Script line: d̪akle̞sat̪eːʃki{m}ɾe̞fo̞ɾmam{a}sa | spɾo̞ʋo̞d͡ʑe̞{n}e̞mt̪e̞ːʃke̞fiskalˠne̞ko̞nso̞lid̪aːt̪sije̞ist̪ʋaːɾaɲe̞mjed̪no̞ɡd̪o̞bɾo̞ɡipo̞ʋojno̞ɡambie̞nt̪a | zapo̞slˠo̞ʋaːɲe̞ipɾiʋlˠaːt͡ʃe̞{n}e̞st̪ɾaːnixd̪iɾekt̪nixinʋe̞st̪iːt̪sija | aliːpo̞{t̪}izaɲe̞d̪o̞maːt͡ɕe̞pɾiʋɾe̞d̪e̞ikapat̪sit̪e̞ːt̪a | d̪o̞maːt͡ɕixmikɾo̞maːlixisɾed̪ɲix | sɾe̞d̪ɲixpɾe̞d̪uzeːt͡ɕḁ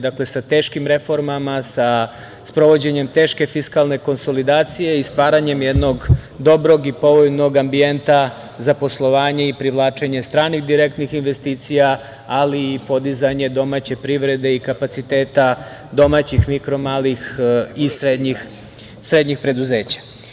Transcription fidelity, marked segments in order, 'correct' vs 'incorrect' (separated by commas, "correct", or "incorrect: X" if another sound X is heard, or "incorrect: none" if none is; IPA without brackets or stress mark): correct, correct, incorrect: ɲ, incorrect: ɲ, incorrect: d̪